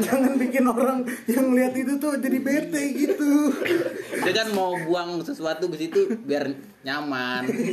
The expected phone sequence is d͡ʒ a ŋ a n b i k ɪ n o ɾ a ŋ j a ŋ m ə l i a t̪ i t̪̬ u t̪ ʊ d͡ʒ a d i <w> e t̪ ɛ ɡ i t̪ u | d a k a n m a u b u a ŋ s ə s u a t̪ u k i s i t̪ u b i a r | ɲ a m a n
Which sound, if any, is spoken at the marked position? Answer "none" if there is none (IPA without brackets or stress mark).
b